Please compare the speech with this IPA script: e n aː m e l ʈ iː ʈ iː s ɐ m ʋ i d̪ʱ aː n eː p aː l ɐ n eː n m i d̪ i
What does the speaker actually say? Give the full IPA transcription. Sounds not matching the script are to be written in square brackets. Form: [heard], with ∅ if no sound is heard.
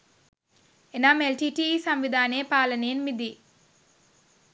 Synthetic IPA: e n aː m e l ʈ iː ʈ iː s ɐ m ʋ i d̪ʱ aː n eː p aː l ɐ n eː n m i d̪ i